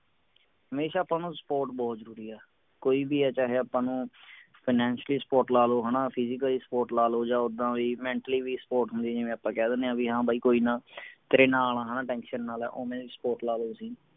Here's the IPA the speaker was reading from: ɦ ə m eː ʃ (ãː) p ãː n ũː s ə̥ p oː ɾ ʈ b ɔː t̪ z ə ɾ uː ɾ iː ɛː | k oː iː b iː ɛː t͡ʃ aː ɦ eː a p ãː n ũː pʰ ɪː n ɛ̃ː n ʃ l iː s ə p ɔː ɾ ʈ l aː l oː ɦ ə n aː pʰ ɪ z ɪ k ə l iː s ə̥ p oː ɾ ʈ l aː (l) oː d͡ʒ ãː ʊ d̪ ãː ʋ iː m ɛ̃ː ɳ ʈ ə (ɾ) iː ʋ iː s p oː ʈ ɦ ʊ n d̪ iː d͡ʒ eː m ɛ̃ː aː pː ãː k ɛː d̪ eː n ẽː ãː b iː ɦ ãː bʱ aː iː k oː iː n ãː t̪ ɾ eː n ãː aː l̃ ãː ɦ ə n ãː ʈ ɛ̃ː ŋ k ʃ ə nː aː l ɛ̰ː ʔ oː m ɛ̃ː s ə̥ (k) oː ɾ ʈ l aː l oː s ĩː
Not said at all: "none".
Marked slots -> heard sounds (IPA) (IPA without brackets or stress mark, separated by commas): aː, l, l, p